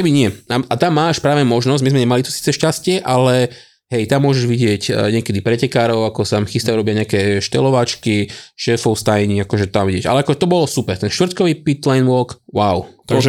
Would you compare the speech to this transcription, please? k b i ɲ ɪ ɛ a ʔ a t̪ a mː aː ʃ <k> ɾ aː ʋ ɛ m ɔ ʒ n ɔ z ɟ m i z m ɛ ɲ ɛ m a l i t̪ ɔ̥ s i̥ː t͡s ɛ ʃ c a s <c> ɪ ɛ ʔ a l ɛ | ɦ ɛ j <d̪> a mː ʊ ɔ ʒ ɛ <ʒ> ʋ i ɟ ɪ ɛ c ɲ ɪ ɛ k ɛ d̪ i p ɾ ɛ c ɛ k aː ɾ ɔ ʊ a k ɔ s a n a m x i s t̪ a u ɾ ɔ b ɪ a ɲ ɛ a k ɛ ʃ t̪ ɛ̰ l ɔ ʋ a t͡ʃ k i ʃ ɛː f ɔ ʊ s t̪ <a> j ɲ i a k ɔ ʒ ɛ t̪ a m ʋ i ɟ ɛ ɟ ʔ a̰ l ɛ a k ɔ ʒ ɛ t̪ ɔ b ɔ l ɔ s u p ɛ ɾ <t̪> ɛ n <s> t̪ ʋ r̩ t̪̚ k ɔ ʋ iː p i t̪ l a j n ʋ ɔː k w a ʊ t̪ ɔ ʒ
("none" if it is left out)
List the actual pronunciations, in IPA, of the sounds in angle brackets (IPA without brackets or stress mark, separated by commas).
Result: p, c, t̪, ʒ, a, t̪, ʃ